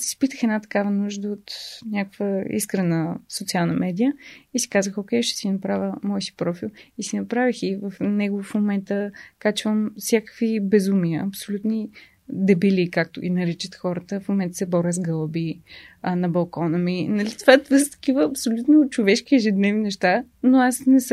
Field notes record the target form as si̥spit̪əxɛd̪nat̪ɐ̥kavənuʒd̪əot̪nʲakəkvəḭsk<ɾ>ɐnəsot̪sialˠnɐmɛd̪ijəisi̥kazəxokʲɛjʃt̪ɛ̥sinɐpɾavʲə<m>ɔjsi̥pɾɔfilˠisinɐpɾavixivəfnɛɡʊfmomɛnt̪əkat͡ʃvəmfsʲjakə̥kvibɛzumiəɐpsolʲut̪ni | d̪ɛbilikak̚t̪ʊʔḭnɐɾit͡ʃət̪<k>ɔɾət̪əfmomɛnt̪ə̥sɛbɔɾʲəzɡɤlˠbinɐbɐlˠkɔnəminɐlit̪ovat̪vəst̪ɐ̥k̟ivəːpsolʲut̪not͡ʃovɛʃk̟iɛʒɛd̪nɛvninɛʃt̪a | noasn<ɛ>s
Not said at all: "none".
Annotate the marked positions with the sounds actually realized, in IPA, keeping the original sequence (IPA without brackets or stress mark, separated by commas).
ɾ, m, x, ɛ